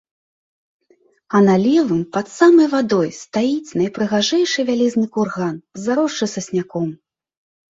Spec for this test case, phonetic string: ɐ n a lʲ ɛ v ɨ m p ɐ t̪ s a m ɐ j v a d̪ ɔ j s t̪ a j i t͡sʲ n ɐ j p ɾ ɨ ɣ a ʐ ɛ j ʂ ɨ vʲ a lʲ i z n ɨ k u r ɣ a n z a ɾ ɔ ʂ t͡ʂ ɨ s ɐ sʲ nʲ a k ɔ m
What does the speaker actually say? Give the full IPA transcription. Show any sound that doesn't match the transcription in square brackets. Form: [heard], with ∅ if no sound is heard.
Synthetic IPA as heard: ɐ n a lʲ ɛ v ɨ m p ɐ t̪ s a m ɐ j v a d̪ ɔ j s t̪ a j i t͡sʲ n ɐ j p ɾ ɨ ɣ a ʐ ɛ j ʂ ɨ vʲ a lʲ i z n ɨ k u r ɣ a n z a ɾ ɔ ʂ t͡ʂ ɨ s ɐ sʲ nʲ a k ɔ m